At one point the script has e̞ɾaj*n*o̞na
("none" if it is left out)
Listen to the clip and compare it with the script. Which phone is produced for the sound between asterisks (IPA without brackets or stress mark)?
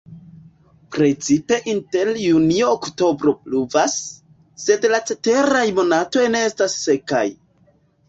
m